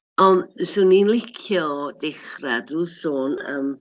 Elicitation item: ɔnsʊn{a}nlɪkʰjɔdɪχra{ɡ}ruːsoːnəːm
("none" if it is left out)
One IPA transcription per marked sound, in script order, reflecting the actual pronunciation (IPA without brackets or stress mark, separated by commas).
i, d